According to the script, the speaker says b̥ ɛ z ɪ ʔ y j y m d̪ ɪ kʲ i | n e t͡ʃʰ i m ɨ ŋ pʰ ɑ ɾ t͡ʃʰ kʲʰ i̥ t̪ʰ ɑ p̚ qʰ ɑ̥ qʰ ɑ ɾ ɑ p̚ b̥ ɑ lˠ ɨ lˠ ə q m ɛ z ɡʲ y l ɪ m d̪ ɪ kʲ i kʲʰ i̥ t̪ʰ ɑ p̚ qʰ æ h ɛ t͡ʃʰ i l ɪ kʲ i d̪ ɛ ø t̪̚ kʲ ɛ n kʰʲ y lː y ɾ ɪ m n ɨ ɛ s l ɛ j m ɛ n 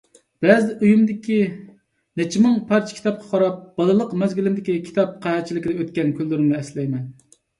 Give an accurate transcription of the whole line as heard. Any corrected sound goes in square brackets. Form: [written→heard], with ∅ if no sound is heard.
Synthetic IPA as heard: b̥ ɛ z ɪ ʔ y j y m d̪ ɪ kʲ i | n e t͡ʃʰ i m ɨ ŋ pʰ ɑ ɾ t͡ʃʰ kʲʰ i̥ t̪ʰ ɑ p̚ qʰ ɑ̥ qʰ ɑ ɾ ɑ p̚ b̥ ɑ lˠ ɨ lˠ ə q m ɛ z ɡʲ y l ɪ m d̪ ɪ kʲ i kʲʰ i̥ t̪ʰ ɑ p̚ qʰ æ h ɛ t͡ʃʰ i l ɪ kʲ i d̪ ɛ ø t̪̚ kʲ ɛ n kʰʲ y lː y ɾ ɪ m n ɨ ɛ s l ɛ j m ɛ n